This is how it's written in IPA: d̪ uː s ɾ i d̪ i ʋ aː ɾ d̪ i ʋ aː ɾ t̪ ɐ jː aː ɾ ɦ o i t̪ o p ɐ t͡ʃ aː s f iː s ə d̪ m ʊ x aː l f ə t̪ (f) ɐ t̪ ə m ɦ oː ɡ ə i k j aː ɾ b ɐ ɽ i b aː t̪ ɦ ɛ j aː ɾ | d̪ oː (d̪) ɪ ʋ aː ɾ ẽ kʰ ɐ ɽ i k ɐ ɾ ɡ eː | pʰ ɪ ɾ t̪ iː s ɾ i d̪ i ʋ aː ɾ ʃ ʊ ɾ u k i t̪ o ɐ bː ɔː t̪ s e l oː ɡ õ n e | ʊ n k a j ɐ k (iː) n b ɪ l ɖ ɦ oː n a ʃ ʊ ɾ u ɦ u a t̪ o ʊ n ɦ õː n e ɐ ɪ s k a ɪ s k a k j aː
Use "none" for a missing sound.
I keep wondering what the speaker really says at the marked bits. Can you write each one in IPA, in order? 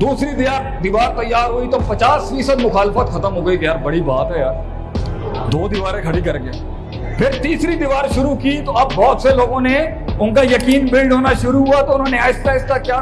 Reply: x, d̪, iː

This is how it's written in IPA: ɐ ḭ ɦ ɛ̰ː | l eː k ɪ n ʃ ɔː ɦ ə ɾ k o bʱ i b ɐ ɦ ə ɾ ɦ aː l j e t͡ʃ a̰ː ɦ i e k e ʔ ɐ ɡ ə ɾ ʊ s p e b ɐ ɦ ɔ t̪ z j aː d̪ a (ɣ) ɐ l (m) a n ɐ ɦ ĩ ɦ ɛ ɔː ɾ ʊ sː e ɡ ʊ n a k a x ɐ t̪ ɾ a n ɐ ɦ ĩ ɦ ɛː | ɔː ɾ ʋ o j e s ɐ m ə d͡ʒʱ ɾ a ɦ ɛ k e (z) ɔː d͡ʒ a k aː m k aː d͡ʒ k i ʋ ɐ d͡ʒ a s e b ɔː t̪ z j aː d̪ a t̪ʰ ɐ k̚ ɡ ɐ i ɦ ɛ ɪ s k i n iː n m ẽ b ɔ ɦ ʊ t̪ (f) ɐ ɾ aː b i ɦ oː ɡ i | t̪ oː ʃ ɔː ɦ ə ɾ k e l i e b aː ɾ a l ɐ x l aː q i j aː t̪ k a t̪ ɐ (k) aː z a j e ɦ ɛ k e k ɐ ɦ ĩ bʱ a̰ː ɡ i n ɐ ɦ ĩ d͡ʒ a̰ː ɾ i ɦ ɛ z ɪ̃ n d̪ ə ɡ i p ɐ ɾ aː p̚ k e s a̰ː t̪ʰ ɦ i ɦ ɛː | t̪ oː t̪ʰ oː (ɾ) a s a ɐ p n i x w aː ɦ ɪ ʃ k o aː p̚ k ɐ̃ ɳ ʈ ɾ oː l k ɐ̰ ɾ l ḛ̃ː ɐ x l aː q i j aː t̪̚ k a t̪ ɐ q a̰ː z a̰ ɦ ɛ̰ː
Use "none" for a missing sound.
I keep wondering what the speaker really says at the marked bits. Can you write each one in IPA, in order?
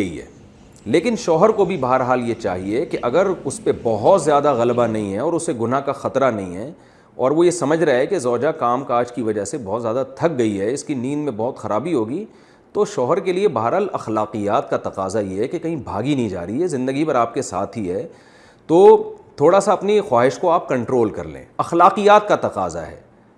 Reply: ɣ, b, z, x, q, ɽ

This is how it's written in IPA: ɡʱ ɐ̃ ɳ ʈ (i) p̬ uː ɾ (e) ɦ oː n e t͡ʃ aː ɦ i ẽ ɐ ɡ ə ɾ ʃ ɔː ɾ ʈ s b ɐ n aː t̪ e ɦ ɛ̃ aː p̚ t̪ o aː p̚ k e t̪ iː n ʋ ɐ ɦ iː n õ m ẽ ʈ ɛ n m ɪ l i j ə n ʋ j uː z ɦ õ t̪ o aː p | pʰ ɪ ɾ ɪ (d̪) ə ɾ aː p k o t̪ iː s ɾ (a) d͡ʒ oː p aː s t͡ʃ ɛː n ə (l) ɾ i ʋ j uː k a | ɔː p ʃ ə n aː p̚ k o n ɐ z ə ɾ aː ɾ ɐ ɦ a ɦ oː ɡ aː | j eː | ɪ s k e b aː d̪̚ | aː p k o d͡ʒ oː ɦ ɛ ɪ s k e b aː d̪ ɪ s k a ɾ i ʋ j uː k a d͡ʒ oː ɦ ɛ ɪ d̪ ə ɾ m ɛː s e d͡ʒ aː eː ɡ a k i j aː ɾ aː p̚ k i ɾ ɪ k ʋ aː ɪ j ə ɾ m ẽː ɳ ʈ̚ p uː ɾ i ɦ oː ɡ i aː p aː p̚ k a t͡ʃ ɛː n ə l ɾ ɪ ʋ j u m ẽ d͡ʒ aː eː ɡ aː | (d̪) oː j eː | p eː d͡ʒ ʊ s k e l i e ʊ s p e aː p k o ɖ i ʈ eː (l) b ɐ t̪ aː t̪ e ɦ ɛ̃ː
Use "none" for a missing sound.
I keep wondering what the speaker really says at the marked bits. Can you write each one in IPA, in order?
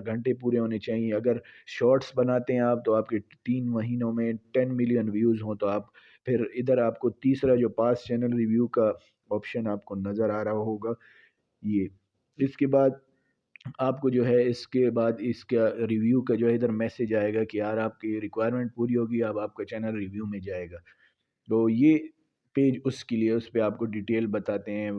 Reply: e, e, d̪, a, l, t̪, l

